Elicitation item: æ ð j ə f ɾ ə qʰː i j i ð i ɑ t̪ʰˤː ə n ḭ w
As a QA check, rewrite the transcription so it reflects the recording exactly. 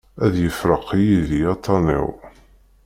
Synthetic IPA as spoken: æ ð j ə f ɾ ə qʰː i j i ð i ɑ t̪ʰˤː ɑ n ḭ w